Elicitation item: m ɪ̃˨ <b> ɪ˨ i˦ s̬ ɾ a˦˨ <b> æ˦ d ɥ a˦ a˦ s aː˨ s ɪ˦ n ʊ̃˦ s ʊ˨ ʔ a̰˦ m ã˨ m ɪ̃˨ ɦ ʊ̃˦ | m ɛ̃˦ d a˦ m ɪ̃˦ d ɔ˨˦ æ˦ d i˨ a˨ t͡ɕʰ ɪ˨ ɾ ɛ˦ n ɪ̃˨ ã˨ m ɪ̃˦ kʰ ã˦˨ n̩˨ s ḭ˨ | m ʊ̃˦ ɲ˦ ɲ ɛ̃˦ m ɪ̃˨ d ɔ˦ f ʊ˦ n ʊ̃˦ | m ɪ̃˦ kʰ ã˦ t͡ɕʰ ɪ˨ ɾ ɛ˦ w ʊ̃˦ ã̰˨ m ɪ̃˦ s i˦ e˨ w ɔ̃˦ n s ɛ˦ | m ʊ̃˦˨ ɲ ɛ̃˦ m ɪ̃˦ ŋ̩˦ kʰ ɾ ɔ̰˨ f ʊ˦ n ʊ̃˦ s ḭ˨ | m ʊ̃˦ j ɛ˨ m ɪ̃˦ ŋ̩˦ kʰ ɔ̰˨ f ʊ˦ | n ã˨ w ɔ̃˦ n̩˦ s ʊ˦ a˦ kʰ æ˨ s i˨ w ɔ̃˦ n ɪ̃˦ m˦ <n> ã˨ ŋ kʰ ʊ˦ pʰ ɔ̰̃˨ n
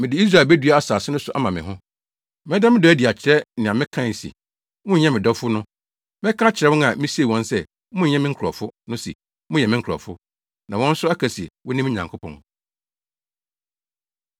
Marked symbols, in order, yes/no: no, yes, no

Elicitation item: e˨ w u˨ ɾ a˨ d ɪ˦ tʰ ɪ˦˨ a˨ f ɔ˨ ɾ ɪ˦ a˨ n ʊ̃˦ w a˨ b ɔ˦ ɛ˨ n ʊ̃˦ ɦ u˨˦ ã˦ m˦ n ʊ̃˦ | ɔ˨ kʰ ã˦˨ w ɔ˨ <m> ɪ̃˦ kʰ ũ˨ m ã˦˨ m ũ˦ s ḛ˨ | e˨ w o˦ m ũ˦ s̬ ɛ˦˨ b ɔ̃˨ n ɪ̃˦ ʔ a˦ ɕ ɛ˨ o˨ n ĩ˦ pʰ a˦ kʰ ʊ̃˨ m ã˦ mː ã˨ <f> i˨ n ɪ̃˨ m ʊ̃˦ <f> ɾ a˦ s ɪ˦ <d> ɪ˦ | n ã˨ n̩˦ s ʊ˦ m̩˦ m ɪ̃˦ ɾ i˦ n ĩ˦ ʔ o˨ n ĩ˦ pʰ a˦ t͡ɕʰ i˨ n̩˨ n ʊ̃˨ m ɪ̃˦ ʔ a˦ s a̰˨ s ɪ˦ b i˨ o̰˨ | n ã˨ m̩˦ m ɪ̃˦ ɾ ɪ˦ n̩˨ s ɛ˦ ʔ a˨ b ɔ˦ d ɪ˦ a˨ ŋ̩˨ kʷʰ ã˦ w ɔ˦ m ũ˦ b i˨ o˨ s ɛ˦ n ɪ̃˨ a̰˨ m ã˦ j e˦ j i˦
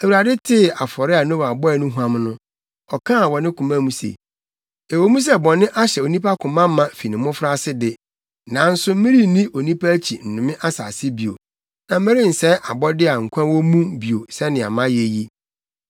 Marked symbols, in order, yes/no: no, yes, yes, yes

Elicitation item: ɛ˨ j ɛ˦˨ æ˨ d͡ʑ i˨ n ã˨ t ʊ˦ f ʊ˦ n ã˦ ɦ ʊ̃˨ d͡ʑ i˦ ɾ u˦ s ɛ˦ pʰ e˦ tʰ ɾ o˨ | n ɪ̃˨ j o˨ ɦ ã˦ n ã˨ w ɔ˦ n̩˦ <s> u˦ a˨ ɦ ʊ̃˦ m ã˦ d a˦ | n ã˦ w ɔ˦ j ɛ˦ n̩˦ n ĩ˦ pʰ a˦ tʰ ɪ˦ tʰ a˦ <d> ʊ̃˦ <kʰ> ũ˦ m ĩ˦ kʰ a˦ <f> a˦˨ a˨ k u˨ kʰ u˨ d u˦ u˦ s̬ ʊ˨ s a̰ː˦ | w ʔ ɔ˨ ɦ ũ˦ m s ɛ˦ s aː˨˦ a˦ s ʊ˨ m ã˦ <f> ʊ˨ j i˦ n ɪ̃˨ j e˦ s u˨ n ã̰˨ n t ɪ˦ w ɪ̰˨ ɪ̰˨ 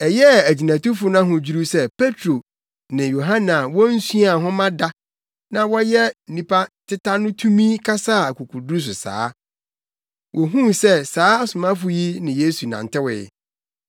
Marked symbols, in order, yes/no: yes, no, no, no, yes

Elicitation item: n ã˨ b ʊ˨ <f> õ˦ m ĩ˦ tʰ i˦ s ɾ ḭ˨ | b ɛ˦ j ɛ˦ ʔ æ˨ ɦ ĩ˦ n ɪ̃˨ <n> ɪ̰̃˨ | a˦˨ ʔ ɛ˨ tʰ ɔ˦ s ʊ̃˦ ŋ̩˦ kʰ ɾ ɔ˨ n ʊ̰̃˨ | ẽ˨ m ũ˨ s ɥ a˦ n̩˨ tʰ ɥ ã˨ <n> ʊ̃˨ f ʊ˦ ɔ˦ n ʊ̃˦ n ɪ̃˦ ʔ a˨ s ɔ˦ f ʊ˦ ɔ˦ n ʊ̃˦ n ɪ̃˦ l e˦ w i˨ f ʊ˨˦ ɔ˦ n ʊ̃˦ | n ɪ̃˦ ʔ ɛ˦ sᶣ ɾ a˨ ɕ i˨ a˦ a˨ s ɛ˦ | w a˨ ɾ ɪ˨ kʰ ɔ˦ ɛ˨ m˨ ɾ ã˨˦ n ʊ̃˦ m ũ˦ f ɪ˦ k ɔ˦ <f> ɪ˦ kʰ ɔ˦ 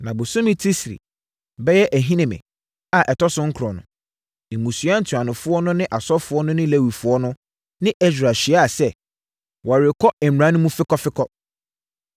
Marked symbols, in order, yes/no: no, no, yes, yes

